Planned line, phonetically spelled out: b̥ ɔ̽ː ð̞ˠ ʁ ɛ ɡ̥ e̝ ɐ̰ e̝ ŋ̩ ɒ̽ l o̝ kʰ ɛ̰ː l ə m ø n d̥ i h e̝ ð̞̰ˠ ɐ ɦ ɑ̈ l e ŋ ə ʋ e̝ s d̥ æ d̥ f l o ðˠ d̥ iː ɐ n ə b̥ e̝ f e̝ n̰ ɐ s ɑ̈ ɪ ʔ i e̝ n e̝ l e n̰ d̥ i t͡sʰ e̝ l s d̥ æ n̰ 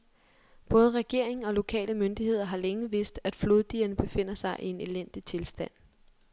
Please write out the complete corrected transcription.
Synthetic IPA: b̥ ɔ̽ː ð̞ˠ ʁ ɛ ɡ̥ e̝ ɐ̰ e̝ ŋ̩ ɒ̽ l o̝ kʰ ɛ̰ː l ə m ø n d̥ i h e̝ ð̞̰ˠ ɐ ɦ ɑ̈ l e ŋ ə ʋ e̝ s d̥ æ d̥ f l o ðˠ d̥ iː ɐ n ə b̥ e̝ f e̝ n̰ ɐ s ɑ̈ ɪ ʔ i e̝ n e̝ l e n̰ d̥ i t͡sʰ e̝ l s d̥ æ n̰

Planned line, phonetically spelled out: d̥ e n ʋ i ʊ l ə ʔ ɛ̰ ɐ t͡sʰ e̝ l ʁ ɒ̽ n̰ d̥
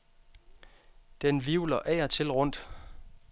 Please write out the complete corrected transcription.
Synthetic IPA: d̥ e n ʋ i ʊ l ɐ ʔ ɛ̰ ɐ t͡sʰ e̝ l ʁ ɔ̽ n̰ d̥

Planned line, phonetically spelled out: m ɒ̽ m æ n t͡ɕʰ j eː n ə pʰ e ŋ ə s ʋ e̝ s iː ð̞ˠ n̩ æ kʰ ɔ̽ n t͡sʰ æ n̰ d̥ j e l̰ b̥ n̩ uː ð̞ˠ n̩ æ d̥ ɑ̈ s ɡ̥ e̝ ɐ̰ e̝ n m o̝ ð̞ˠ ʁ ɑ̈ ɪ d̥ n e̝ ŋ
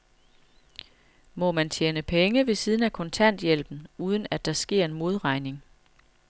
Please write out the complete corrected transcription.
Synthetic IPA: m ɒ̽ m æ n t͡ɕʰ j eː n ə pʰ e ŋ ə ʋ e̝ s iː ð̞ˠ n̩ æ kʰ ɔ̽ n t͡sʰ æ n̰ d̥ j e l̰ b̥ n̩ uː ð̞ˠ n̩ æ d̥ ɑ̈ s ɡ̥ e̝ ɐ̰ e̝ n m o̝ ð̞ˠ ʁ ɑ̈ ɪ n e̝ ŋ

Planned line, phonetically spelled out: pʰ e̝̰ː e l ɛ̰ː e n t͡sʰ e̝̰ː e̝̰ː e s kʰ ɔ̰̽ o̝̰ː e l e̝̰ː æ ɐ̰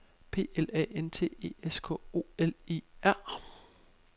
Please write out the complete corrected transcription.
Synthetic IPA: pʰ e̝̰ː e l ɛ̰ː e n t͡sʰ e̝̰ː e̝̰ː e s kʰ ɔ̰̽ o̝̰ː e l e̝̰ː æ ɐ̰

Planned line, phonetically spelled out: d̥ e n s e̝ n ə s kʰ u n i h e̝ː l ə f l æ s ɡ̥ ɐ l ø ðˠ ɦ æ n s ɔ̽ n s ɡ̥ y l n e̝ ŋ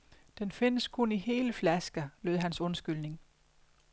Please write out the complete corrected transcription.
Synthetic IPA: d̥ e n f e̝ n ə s kʰ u n i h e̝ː l ə f l æ s ɡ̥ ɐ l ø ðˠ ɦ æ n s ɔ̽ n s ɡ̥ y l n e̝ ŋ

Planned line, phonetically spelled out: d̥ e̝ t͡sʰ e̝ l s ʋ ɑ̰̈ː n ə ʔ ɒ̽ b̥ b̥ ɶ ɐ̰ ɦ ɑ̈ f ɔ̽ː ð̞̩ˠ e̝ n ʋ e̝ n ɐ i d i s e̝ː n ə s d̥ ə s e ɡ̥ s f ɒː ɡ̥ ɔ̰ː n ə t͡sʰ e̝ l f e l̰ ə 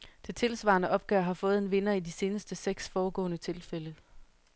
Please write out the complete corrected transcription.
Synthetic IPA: d̥ e̝ t͡sʰ e̝ l s ʋ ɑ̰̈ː n ə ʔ ɒ̽ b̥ ɡ̥ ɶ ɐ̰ ɦ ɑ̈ f ɔ̽ː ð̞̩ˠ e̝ n ʋ e̝ n ɐ i d i s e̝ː n ə s d̥ ə s e ɡ̥ s f ɒː ɡ̥ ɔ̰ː n ə t͡sʰ e̝ l f e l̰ ə

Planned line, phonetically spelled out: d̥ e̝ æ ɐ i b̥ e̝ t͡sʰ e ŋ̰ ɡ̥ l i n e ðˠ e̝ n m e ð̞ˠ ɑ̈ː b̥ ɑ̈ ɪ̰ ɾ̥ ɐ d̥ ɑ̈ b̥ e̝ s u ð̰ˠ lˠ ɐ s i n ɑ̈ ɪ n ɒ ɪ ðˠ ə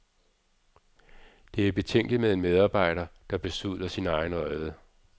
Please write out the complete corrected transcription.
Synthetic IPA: d̥ e̝ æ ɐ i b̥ e̝ t͡sʰ e ŋ̰ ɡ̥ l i m e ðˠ e̝ n m e ð̞ˠ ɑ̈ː b̥ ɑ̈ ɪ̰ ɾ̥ ɐ d̥ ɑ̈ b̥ e̝ s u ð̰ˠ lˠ ɐ s i n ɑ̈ ɪ n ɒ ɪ ðˠ ə

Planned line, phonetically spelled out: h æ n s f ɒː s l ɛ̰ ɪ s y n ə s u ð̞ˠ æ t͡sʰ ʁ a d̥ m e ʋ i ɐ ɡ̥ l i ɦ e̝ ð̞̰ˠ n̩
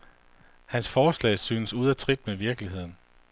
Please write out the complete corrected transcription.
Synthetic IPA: h æ n s f ɒː s l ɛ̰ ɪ s yː n ə s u ð̞ˠ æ t͡sʰ ʁ i d̥ m e ʋ i ɐ ɡ̥ l i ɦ e̝ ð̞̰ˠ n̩

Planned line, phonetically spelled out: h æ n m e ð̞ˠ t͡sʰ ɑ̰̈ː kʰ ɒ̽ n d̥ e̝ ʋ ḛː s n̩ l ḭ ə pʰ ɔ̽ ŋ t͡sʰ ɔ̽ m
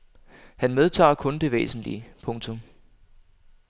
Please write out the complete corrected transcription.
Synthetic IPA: h æ n m e ð̞ˠ t͡sʰ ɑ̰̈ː kʰ ɔ̽ n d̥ e̝ ʋ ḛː s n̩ l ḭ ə pʰ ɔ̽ ŋ t͡sʰ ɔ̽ m

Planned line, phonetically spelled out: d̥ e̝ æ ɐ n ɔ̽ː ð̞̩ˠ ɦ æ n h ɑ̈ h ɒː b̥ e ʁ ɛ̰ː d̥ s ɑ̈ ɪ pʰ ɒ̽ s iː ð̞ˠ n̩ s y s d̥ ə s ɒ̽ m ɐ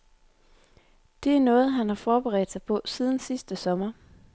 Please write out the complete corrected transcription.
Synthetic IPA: d̥ e̝ æ ɐ n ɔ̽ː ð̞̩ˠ ɦ æ n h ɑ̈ f ɒː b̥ e ʁ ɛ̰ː d̥ s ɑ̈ ɪ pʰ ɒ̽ s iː ð̞ˠ n̩ s i s d̥ ə s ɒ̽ m ɐ

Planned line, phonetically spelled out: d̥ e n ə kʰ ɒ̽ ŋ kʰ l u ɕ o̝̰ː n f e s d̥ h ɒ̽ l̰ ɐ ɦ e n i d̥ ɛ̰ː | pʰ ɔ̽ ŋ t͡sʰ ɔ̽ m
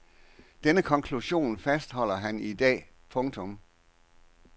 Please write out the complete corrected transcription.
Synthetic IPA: d̥ e n ə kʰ ɒ̽ ŋ kʰ l u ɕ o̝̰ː n f æ s d̥ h ɒ̽ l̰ ɐ ɦ æ n i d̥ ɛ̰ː | pʰ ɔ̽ ŋ t͡sʰ ɔ̽ m

